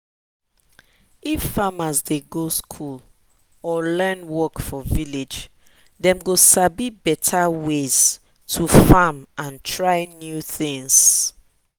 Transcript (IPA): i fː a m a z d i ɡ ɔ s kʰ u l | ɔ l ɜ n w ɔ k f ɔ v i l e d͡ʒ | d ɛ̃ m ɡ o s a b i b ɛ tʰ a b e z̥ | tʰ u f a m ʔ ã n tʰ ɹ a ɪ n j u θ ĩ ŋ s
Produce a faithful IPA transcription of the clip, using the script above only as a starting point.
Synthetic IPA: i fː a m a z d e ɡ o s kʰ u l | ɔ l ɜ n w ɔ k f ɔ v i l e d͡ʒ | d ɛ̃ m ɡ o s a b i b ɛ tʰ a w e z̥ | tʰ u f a m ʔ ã n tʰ ɹ a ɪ n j u θ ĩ ŋ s